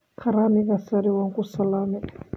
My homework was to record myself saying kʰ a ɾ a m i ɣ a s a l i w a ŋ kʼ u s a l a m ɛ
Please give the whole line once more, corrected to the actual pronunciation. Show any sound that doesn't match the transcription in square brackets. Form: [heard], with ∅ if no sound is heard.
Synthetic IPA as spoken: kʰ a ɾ a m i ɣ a s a [ɾ] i w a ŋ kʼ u s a l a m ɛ